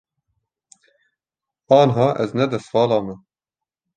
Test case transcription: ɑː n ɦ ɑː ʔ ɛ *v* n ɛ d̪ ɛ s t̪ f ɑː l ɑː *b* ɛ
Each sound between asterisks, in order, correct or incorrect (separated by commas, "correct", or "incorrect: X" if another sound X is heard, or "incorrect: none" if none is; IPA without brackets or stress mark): incorrect: z, incorrect: m